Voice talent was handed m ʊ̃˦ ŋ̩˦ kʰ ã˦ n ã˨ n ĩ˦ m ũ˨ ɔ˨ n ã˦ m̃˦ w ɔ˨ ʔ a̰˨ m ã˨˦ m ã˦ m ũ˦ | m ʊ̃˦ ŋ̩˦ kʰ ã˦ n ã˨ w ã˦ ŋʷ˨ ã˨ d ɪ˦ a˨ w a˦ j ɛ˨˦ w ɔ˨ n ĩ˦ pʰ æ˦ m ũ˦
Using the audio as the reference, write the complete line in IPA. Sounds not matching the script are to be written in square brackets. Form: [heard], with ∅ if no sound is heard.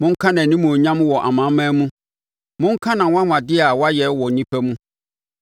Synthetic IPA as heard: m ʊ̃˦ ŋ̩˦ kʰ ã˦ n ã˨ n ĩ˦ m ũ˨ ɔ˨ [ɲ] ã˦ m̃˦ w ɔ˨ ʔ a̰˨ m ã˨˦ m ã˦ m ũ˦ | m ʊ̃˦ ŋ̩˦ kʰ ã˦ n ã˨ w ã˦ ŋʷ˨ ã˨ d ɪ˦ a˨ w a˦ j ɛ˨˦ w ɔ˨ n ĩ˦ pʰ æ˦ m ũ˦

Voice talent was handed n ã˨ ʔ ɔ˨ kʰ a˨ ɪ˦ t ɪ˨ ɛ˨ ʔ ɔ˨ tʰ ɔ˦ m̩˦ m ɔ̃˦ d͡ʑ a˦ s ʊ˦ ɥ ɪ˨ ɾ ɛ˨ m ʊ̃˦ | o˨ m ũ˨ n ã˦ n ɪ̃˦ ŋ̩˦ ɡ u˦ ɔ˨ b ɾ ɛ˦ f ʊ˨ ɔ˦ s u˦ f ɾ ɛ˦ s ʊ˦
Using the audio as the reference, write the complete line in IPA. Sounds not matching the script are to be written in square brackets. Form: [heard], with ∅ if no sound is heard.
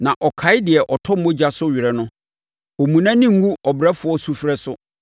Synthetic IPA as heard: n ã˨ ʔ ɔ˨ kʰ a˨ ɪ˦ [d] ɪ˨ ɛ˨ ʔ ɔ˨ tʰ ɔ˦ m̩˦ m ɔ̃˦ d͡ʑ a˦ s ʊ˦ ɥ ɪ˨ ɾ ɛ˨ [n] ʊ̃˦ | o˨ m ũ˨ n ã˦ n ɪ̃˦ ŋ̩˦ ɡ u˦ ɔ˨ b ɾ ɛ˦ f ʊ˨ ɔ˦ s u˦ f ɾ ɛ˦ s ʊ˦

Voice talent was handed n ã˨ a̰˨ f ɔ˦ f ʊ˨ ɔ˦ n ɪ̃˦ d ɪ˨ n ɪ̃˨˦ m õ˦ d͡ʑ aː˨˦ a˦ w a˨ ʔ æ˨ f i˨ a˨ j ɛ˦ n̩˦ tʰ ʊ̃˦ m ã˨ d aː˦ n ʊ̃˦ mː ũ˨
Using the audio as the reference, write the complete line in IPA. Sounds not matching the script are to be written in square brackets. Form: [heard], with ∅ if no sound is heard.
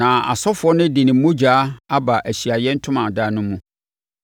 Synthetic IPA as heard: n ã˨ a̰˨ [s] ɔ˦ f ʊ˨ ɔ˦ n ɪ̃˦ d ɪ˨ n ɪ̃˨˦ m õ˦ d͡ʑ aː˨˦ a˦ [b] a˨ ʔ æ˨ [ɕ] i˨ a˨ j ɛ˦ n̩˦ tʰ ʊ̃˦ m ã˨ d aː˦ n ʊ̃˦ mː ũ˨

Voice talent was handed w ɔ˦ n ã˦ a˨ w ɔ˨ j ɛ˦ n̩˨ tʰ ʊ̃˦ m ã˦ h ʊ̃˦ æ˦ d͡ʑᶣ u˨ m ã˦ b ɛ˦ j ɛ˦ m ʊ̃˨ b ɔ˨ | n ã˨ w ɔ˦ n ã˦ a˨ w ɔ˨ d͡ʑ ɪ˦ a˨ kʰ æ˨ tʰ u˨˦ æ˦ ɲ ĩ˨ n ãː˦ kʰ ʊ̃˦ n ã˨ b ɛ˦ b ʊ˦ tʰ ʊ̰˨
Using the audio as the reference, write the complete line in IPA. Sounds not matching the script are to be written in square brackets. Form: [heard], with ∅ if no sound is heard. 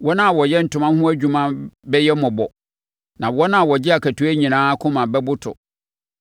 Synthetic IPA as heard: w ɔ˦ n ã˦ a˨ w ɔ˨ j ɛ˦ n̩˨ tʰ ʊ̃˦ m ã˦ h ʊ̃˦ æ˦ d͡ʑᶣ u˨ m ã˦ b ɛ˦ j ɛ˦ m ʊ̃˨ b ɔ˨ | n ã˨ w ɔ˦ n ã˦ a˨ w ɔ˨ d͡ʑ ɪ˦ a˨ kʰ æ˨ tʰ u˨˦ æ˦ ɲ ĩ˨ n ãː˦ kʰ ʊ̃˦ [m] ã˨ b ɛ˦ b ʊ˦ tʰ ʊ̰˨

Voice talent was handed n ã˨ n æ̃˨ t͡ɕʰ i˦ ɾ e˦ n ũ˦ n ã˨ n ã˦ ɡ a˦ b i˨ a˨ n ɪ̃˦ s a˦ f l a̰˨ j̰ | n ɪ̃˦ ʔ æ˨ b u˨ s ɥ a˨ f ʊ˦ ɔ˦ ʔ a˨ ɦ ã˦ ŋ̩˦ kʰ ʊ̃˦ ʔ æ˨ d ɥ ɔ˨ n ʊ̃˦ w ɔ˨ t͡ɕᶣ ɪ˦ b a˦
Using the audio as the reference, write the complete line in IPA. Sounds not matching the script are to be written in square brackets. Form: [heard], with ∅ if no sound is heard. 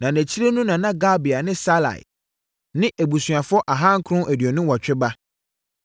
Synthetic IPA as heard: n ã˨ n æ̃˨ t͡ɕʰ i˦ ɾ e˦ n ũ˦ n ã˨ n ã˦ ɡ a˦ b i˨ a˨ n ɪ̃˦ s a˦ [∅] l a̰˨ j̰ | n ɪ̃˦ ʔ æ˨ b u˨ s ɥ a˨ f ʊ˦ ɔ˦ ʔ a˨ ɦ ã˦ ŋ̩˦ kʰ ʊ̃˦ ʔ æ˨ d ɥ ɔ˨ n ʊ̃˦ w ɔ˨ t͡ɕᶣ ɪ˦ b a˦

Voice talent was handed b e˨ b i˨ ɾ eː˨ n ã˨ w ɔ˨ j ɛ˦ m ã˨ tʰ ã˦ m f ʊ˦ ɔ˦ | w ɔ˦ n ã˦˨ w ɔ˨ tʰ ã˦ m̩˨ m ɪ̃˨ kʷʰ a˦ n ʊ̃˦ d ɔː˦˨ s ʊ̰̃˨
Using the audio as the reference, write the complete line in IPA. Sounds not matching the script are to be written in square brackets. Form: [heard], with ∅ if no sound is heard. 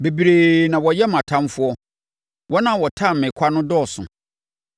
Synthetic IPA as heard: b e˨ b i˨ ɾ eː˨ n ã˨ w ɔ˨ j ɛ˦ m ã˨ tʰ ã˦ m f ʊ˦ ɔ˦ | w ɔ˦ n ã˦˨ w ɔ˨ tʰ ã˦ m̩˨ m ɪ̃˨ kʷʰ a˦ n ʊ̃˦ d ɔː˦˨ s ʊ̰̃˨

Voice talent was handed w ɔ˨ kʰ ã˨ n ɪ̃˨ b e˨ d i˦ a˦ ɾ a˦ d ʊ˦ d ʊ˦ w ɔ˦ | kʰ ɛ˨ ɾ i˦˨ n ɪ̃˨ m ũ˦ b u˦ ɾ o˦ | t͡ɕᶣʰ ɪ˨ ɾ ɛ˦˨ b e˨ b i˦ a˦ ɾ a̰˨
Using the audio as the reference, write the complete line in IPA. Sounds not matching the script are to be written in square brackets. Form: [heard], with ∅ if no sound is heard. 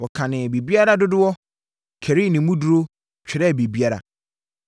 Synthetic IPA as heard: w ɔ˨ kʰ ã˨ n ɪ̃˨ b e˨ [b] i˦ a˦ ɾ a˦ d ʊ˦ d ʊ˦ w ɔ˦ | kʰ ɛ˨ ɾ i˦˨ n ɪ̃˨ m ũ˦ [d] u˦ ɾ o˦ | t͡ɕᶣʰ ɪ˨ ɾ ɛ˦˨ b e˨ b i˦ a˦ ɾ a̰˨

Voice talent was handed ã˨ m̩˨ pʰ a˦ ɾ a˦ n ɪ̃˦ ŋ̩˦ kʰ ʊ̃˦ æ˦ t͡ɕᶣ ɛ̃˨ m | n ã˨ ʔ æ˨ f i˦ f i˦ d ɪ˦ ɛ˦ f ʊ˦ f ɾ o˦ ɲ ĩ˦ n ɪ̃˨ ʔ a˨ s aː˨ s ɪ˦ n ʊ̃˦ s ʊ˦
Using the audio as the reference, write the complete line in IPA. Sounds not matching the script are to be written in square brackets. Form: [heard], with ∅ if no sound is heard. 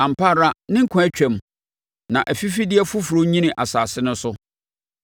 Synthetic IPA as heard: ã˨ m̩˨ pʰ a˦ ɾ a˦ n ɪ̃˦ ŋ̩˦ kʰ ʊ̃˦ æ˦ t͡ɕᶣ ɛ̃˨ m | n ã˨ ʔ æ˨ f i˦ f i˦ d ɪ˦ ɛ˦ f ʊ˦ f ɾ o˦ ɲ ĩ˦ n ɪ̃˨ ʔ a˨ s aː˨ s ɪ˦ n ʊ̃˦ s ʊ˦

